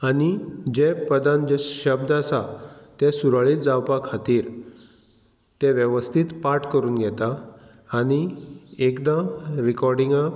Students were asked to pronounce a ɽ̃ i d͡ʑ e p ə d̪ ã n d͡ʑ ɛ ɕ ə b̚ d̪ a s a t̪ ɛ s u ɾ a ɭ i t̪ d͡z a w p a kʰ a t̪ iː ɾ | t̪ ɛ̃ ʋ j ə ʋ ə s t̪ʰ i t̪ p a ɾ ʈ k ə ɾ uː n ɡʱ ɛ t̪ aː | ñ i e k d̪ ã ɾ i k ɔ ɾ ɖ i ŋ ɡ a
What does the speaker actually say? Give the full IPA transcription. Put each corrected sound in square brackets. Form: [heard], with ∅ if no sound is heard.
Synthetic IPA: a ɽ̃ i d͡ʑ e p ə d̪ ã n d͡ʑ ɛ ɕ ə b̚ d̪ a s a t̪ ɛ s u ɾ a ɭ i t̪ d͡z a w p a kʰ a t̪ iː ɾ | t̪ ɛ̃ ʋ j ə ʋ ə s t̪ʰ i t̪ p a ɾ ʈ k ə ɾ uː n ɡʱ ɛ t̪ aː | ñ i e k d̪ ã ɾ i k ɔ ɾ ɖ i ŋ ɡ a